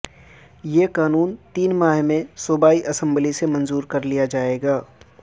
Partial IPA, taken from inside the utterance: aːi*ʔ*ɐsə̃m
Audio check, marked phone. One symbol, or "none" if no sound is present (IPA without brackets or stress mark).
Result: ʔ